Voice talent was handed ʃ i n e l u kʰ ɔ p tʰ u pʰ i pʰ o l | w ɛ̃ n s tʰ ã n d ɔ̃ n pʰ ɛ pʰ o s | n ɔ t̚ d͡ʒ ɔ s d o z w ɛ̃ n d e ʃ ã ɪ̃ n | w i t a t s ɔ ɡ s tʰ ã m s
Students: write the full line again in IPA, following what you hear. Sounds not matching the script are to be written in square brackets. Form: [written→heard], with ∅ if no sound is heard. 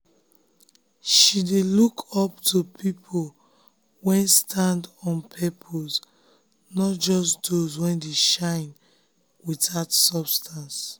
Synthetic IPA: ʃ i [n→d] e l u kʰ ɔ p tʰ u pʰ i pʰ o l | w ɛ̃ n s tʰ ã n d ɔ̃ n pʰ ɛ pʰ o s | n ɔ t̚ d͡ʒ ɔ s d o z w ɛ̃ n d e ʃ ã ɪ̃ n | w i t a t s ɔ [ɡ→b] s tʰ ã [m→n] s